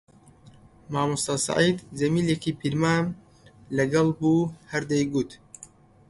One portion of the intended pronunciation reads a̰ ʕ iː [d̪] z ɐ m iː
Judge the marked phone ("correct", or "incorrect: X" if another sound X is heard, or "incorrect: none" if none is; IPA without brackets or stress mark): correct